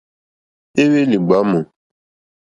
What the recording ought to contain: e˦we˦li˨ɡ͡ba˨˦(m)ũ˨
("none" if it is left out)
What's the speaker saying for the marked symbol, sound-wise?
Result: m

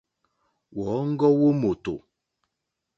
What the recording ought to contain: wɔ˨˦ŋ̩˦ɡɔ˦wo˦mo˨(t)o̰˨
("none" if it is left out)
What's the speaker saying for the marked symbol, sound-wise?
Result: t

